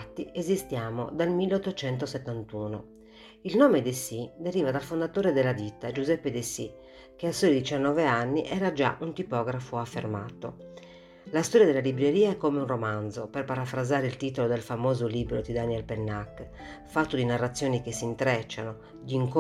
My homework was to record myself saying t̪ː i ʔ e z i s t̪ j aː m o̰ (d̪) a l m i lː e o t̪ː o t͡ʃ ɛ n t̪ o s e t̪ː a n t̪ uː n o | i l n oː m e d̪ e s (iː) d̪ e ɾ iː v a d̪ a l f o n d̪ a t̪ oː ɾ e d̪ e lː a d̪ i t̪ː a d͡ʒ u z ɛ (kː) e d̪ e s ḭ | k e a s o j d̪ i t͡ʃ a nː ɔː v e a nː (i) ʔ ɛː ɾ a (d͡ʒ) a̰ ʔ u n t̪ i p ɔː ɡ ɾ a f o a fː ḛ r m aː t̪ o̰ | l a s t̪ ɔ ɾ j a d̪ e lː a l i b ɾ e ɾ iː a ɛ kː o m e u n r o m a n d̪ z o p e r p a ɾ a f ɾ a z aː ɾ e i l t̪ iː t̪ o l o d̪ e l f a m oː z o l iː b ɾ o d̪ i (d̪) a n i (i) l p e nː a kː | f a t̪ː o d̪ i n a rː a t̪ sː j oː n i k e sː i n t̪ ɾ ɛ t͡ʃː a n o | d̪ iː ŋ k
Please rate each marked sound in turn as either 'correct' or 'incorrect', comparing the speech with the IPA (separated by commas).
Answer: correct, incorrect, incorrect, correct, correct, correct, incorrect